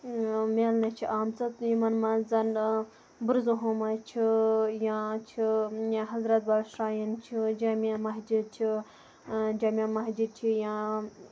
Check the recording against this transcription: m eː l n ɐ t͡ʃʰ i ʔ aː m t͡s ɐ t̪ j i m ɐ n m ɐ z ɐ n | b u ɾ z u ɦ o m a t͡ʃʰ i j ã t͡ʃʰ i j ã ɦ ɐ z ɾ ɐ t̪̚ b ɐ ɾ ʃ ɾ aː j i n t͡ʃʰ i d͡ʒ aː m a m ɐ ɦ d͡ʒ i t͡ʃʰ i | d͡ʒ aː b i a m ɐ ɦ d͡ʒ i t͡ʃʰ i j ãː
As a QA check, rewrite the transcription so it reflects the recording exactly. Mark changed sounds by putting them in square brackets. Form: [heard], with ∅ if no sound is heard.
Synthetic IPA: m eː l n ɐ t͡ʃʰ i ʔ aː m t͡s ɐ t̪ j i m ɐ n m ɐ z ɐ n | b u ɾ z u ɦ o m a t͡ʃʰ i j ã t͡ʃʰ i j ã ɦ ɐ z ɾ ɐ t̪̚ b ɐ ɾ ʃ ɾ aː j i n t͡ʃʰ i d͡ʒ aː m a m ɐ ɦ d͡ʒ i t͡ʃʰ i | d͡ʒ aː [m] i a m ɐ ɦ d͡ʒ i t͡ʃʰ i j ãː